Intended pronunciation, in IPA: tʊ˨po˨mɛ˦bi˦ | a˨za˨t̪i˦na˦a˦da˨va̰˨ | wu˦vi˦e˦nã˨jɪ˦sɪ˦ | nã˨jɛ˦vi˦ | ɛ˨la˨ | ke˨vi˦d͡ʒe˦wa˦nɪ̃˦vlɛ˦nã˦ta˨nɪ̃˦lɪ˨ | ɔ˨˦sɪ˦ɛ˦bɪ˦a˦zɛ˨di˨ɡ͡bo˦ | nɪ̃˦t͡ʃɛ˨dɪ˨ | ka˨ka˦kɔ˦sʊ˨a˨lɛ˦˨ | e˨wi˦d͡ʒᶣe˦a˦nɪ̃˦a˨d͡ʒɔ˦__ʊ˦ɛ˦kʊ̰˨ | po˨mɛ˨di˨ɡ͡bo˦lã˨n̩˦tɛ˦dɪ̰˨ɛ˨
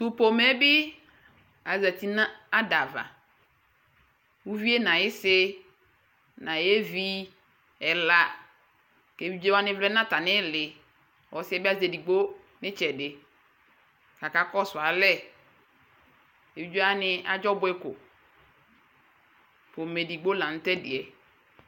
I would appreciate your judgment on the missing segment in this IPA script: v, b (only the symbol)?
b